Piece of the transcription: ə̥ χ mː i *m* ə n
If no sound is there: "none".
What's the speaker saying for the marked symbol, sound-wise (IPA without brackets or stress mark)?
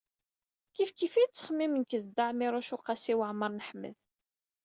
m